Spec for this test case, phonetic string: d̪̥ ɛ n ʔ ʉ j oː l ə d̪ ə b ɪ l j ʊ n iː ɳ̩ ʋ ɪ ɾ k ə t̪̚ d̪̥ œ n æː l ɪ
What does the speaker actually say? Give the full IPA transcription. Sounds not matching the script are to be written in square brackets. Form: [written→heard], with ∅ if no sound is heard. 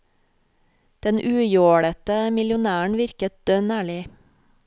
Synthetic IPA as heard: d̪̥ ɛ n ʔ [ʉ→ʉː] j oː [l→ɽ] ə [d̪→t̪] ə [b→m] ɪ l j ʊ n [iː→æː] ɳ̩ ʋ ɪ ɾ k ə t̪̚ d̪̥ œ n æː [l→ɭ] ɪ